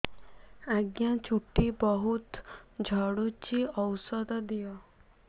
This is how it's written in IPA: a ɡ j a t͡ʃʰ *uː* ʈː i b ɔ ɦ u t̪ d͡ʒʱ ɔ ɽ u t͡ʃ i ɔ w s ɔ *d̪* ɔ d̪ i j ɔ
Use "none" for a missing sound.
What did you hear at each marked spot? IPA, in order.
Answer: u, d̪

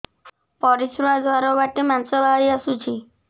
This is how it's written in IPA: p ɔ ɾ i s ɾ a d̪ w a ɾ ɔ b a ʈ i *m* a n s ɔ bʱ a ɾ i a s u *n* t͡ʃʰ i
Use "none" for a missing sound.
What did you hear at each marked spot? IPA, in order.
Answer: m, none

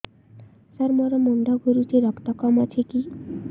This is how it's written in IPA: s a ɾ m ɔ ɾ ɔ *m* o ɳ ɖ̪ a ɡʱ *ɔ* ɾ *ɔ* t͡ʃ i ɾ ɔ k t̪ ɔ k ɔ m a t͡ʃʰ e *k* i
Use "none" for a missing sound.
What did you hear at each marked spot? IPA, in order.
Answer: m, u, u, k

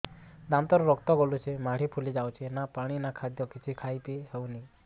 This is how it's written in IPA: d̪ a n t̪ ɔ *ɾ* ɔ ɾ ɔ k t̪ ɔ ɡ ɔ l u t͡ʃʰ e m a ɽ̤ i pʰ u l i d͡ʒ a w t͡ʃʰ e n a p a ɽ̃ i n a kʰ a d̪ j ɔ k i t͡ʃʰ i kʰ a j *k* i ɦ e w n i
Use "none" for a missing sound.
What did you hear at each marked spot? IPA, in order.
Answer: ɾ, p

